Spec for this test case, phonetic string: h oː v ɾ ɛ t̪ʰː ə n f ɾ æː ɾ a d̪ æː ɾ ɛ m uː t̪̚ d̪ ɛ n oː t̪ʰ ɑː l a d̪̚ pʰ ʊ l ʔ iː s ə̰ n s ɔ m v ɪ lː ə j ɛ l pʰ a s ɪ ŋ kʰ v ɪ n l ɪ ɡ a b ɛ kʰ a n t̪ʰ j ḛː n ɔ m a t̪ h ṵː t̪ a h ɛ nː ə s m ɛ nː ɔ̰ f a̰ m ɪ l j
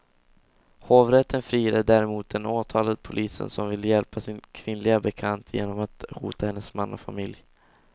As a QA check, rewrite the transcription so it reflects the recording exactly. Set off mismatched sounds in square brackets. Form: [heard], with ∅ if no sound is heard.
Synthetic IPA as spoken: h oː v ɾ ɛ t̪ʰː ə n f ɾ [iː] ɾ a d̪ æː ɾ ɛ m uː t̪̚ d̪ ɛ n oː t̪ʰ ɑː l a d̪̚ pʰ ʊ l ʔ iː s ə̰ n s ɔ m v ɪ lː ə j ɛ l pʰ a s ɪ [n] kʰ v ɪ n l ɪ ɡ a b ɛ kʰ a n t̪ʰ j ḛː n ɔ m a t̪ h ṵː t̪ a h ɛ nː ə s m [a] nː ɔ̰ f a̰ m ɪ l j